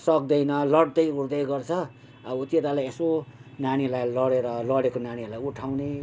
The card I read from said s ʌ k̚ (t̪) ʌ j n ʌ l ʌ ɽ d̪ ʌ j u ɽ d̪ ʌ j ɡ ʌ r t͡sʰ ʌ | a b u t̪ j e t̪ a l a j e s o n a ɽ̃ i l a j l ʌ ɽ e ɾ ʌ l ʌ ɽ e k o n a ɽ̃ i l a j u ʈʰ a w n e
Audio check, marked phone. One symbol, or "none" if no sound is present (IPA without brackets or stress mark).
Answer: d̪